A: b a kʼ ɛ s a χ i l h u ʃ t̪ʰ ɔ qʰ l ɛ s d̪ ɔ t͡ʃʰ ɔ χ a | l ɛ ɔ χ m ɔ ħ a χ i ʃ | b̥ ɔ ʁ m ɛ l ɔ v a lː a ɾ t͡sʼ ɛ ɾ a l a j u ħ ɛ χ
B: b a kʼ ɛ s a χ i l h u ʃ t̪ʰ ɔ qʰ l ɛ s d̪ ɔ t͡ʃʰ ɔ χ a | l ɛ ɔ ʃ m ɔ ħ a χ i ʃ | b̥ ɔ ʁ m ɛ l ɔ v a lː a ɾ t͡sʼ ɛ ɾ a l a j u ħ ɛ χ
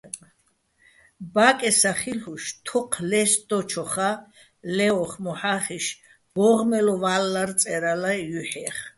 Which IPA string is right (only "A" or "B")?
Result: A